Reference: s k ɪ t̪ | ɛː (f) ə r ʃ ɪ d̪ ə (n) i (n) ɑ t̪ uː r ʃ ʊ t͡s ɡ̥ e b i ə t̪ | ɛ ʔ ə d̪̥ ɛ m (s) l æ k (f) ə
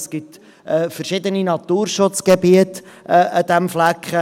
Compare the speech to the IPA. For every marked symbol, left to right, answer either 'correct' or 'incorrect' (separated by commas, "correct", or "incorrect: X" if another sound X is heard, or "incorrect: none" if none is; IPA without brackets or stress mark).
correct, correct, correct, incorrect: f, incorrect: χ